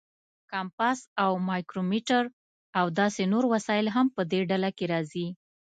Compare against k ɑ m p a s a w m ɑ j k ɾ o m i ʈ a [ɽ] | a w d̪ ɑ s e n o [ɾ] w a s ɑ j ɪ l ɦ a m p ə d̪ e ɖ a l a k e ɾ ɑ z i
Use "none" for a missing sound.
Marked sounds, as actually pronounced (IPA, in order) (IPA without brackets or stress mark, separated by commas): ɾ, ɾ